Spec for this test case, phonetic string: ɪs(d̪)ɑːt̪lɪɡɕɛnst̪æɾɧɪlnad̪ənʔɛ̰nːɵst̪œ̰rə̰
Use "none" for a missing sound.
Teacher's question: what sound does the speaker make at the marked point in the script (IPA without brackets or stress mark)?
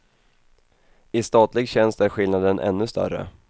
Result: t̪